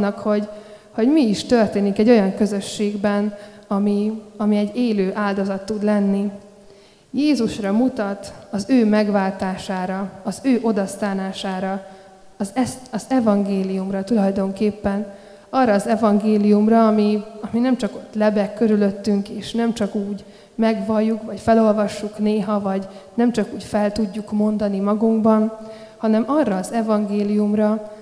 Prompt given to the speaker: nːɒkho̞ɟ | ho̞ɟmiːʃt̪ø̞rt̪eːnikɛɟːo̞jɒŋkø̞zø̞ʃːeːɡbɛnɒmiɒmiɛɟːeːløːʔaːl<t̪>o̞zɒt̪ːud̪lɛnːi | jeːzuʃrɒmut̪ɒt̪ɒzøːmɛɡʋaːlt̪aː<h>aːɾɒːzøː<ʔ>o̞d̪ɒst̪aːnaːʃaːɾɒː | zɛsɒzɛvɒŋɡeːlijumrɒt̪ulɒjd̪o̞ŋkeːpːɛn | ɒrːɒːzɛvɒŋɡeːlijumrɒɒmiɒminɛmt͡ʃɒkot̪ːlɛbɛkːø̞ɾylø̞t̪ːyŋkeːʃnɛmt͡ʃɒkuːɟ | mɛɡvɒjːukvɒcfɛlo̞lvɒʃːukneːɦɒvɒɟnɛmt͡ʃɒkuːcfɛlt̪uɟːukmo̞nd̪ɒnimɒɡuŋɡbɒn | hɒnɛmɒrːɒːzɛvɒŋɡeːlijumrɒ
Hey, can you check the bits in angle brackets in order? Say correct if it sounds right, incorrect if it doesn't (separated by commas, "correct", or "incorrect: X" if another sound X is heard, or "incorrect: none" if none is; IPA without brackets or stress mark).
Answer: incorrect: d̪, incorrect: ʃ, correct